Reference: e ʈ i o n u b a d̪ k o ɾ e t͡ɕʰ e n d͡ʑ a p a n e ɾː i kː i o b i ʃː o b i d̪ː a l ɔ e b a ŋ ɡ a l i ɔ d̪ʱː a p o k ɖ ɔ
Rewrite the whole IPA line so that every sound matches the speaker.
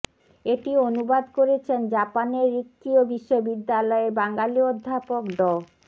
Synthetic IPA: e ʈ i o n u b a d̪ k o ɾ e t͡ɕʰ e n d͡ʑ a p a n e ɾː i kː i o b i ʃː o b i d̪ː a l ɔ e b a ŋ ɡ a l i o d̪ʱː a p o k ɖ ɔ